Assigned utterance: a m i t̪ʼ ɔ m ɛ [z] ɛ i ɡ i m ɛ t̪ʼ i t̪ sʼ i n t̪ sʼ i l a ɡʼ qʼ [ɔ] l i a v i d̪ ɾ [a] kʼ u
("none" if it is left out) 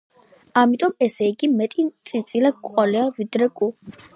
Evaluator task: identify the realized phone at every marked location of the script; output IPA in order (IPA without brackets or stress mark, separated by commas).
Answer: s, ɔ, ɛ